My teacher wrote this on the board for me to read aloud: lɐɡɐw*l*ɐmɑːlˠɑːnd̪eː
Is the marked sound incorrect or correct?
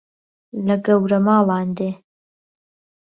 incorrect